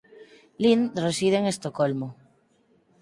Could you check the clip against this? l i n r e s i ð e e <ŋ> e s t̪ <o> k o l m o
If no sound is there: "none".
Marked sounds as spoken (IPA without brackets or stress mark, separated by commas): ŋ, o